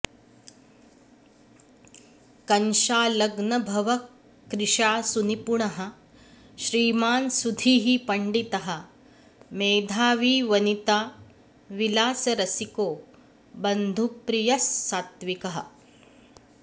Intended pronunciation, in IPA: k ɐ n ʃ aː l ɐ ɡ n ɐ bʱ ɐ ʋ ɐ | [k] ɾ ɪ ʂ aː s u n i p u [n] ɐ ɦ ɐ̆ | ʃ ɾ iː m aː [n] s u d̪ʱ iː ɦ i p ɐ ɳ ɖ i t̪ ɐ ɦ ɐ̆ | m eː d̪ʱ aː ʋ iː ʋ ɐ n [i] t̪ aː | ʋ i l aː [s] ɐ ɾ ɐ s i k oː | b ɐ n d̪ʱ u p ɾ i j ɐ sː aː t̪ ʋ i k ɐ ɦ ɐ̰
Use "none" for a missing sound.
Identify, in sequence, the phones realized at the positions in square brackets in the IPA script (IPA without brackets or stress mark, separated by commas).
k, ɳ, n, i, s